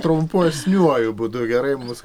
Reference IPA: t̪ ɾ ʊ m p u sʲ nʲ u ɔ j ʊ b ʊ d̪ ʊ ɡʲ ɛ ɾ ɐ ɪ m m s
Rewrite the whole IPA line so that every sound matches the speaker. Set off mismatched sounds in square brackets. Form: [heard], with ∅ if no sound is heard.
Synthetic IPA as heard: t̪ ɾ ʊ m p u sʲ nʲ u ɔ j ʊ b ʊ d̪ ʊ ɡʲ ɛ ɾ ɐ ɪ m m s